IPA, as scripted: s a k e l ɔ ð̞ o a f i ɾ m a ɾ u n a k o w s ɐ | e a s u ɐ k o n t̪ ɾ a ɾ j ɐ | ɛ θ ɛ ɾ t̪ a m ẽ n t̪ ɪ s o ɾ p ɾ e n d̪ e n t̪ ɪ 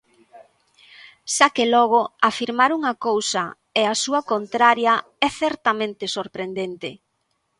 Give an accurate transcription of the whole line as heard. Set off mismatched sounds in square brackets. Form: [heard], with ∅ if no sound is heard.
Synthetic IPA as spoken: s a k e l ɔ [ɣ̞] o a f i ɾ m a ɾ u [ŋ] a k o w s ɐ | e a s u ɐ k o n t̪ ɾ a ɾ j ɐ | ɛ θ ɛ ɾ t̪ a m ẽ n t̪ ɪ s o ɾ p ɾ e n d̪ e n t̪ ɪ